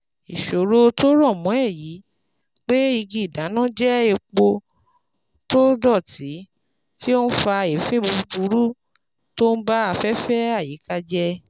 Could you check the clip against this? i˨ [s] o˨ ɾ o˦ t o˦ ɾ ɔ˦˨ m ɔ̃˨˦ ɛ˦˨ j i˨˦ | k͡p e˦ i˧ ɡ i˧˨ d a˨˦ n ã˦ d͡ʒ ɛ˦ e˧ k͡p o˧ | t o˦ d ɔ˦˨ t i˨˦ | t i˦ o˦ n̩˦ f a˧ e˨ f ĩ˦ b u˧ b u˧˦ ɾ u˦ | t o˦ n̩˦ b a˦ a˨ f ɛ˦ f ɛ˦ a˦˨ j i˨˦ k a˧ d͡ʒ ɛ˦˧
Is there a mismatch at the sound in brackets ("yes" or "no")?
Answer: yes